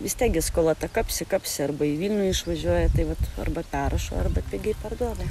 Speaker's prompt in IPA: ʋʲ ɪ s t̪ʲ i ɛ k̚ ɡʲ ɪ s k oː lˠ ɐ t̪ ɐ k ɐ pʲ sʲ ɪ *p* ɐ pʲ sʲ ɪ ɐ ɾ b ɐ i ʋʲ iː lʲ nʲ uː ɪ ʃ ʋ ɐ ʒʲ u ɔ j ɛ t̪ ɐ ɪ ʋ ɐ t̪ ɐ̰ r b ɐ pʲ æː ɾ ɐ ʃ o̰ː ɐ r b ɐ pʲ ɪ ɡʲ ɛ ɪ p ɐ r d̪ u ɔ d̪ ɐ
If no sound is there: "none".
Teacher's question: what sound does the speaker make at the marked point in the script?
k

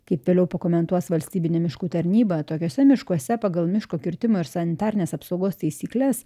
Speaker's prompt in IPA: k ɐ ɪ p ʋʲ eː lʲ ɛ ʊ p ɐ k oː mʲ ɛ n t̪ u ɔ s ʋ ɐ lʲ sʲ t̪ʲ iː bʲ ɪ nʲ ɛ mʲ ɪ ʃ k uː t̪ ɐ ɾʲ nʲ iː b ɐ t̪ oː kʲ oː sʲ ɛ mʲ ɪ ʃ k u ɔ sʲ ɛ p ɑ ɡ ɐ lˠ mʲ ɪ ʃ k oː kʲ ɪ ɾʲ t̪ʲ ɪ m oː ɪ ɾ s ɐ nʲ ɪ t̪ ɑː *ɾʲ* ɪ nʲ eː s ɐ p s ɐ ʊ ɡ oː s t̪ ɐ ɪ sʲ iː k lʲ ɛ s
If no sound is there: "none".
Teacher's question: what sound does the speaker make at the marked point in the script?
ɾʲ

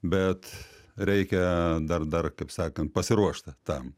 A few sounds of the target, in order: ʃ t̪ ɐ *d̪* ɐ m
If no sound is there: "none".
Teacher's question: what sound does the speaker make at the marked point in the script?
t̪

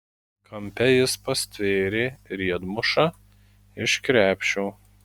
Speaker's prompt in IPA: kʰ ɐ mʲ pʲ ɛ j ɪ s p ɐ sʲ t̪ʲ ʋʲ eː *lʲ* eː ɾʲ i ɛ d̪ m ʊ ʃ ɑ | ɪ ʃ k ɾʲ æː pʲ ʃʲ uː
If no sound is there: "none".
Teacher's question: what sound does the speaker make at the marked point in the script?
ɾʲ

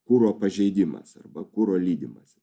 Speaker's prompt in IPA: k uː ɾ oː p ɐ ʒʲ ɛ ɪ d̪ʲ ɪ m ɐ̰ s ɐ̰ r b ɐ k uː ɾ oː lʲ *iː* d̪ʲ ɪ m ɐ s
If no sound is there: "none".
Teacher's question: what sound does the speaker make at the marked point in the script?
iː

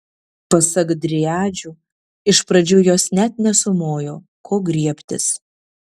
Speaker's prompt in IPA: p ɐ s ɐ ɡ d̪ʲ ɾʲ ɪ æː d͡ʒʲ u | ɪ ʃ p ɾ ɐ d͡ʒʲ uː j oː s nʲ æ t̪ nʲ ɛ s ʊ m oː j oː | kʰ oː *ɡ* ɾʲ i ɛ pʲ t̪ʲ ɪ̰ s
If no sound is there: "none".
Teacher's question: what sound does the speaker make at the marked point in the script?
ɡ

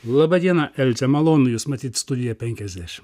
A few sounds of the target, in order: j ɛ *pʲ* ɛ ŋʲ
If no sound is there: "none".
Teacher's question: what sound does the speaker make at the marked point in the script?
pʲ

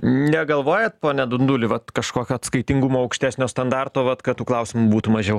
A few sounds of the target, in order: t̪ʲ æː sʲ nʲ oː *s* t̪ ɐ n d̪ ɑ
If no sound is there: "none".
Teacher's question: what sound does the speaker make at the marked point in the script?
s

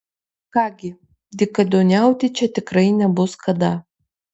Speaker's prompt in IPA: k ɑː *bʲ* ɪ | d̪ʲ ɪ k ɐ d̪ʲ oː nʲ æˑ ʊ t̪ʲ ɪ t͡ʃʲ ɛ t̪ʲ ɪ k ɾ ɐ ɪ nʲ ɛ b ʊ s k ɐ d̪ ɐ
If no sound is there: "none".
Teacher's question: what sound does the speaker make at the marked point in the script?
ɡʲ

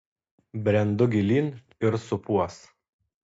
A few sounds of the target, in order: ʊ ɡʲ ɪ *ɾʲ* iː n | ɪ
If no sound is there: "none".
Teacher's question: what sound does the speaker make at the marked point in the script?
lʲ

